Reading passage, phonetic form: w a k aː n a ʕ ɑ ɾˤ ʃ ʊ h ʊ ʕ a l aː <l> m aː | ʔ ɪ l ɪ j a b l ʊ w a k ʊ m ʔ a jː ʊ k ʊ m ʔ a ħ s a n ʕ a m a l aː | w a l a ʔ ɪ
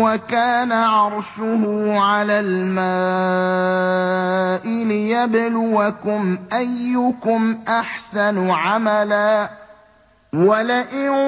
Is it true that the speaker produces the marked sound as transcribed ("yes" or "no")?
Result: yes